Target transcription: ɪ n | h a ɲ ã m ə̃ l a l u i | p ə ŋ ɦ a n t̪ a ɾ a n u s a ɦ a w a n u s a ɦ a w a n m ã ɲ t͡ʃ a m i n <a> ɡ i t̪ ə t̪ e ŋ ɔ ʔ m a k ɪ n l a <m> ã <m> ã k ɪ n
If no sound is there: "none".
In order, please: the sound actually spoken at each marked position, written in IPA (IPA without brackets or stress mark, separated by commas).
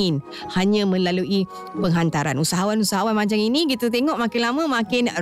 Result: i, m, m